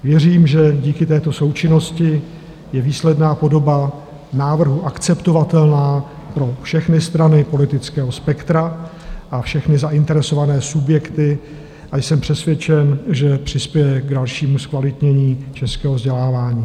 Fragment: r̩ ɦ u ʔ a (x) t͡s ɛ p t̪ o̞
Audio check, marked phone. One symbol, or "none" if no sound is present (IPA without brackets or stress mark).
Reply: k